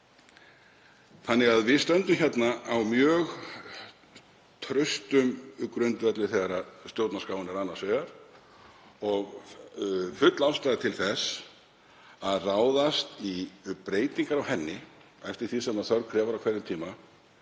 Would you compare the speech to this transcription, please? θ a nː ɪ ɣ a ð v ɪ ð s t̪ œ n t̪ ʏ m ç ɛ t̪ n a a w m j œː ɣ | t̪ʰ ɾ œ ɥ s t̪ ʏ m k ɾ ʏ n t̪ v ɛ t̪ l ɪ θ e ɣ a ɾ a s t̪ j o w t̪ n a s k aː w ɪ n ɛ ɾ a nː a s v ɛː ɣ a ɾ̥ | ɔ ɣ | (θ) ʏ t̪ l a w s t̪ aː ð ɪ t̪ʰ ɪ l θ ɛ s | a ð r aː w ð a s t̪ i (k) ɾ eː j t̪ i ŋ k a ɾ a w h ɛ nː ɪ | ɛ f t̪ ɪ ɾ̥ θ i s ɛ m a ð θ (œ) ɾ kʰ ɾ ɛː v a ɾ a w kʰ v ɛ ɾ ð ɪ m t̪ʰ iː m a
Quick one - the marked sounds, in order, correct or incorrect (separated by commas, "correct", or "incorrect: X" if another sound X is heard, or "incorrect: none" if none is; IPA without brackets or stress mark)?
incorrect: f, incorrect: p, correct